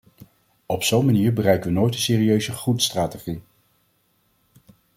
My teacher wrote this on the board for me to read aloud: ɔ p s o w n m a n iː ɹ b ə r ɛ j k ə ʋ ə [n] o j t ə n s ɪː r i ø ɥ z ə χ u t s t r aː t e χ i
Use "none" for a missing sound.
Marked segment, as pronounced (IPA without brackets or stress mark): n